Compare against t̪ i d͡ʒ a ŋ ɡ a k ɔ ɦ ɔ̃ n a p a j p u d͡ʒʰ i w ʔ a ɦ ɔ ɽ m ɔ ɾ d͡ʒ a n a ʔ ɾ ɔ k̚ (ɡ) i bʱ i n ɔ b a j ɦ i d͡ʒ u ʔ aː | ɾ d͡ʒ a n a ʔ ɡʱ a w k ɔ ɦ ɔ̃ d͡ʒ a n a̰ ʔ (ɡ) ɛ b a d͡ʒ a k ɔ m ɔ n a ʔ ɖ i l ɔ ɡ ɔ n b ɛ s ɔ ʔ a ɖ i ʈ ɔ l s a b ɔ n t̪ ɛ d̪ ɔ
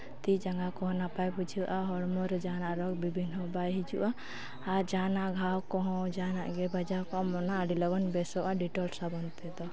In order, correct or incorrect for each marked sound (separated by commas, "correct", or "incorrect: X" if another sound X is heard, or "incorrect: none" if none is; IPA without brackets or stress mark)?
incorrect: b, correct